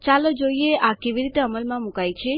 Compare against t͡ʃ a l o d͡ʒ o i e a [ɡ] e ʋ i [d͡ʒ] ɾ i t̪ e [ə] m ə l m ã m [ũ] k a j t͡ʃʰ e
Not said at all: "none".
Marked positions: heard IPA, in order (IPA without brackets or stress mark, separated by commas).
k, none, ə, u